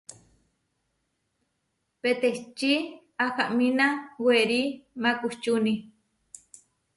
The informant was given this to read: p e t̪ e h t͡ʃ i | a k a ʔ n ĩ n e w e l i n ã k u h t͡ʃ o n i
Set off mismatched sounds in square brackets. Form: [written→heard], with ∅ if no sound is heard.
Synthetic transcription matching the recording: p e t̪ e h t͡ʃ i | a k a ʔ [n→m] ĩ n [e→a] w e [l→ɾ] i [n→m] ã k u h t͡ʃ [o→u] n i